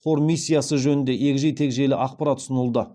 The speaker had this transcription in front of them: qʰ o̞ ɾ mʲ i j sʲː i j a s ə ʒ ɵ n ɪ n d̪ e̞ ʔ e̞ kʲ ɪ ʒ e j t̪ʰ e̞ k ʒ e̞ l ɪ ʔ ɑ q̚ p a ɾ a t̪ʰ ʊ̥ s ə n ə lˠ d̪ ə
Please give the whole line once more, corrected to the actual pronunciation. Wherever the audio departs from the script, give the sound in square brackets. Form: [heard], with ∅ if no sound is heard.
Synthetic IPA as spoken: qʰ o̞ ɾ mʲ i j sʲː i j a s ə ʒ ɵ n ɪ n d̪ e̞ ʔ e̞ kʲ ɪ ʒ e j t̪ʰ e̞ k ʒ e̞ l ɪ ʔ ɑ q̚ p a ɾ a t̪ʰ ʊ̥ s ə n ə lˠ d̪ ə